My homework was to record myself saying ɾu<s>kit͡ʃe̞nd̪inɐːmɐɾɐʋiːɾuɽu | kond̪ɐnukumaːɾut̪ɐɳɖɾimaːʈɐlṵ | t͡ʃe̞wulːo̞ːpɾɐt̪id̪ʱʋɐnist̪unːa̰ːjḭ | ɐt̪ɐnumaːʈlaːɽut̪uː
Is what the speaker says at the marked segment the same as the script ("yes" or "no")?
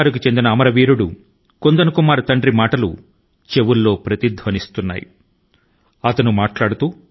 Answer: no